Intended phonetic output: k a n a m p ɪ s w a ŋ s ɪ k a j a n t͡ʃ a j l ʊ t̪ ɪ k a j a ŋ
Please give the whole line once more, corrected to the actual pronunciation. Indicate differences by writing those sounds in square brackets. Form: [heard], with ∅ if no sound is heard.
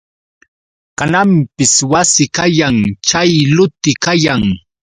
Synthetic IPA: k a n a m p ɪ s w a [∅] s ɪ k a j a [ŋ] t͡ʃ a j l ʊ t̪ ɪ k a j a ŋ